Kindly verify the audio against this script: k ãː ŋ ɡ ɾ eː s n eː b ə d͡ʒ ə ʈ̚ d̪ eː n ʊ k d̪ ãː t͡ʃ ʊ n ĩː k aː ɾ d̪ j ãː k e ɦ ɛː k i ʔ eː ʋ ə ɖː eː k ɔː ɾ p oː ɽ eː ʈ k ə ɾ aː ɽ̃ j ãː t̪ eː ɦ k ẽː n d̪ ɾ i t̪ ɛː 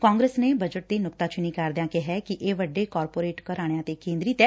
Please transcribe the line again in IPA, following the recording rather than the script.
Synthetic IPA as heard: k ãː ŋ ɡ ɾ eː s n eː b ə d͡ʒ ə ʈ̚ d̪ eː n ʊ k t̪ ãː t͡ʃ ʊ n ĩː k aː ɾ d̪ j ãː k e ɦ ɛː k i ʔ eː ʋ ə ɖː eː k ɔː ɾ p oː ɾ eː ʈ k ə ɾ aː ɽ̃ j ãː t̪ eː k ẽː n d̪ ɾ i t̪ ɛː